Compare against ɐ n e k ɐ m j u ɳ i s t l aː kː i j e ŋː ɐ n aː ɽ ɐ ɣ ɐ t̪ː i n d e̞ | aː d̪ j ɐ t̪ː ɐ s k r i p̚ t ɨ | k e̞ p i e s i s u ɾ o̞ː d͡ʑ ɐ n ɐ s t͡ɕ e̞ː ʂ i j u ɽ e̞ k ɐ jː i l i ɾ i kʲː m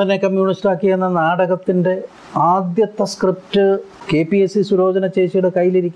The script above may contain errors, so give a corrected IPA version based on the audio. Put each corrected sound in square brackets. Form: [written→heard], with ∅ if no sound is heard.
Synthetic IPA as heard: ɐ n e k ɐ m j [u→uː] ɳ i s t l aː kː i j e [ŋː→nː] ɐ n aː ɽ ɐ ɣ ɐ t̪ː i n d e̞ | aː d̪ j ɐ t̪ː ɐ s k r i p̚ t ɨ | k e̞ p i e s i s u ɾ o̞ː d͡ʑ ɐ n ɐ [s→∅] t͡ɕ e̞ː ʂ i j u ɽ e̞ k ɐ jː i l i ɾ i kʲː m